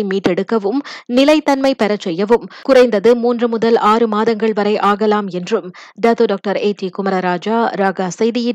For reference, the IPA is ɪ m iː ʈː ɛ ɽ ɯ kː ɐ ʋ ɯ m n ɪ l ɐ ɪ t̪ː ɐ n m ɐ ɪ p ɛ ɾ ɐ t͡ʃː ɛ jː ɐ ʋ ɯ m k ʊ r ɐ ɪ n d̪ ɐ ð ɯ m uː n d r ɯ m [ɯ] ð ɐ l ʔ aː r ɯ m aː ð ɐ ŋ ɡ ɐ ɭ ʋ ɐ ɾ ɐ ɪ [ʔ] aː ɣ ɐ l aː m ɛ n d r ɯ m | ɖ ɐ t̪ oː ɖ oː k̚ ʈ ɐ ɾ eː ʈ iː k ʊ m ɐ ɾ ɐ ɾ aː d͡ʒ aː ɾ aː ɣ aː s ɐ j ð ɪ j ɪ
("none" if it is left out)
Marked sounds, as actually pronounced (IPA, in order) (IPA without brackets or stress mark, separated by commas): ʊ, ʔ